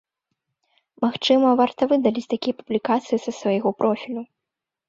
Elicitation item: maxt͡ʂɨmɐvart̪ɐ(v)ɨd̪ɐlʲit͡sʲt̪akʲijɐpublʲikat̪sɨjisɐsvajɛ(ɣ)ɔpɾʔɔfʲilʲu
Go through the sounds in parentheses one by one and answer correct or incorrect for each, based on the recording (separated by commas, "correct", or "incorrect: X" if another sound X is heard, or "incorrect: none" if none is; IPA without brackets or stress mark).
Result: correct, correct